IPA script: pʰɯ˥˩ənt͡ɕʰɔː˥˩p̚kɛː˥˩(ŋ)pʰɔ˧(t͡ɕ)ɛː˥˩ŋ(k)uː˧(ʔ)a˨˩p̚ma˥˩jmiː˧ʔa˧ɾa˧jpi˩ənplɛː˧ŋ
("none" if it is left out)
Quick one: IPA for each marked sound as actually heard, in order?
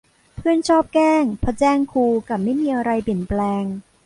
ŋ, t͡ɕ, kʰ, k

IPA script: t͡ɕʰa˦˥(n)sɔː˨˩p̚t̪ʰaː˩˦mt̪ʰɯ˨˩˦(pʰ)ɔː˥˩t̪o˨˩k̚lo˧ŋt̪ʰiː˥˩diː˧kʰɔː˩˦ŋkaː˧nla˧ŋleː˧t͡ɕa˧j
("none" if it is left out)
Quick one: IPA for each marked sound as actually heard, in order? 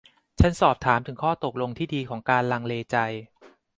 n, kʰ

